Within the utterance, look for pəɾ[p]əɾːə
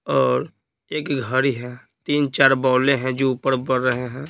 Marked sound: incorrect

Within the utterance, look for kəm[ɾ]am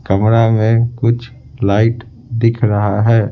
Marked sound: correct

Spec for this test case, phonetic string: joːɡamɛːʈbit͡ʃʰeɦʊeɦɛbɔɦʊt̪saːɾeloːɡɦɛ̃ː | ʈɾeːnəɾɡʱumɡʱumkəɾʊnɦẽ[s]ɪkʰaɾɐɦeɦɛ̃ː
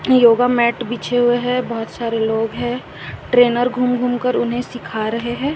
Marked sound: correct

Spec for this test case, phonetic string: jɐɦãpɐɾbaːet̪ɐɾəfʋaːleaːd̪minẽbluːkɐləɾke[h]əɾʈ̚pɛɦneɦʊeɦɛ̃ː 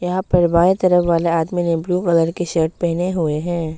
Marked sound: incorrect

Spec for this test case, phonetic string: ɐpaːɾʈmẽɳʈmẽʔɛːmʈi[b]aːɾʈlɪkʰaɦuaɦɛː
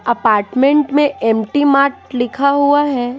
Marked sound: incorrect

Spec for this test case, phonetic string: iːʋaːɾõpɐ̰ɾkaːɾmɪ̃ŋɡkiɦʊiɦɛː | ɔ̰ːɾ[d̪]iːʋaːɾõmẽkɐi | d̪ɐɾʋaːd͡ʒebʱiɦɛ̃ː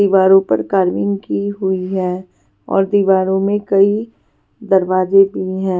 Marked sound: correct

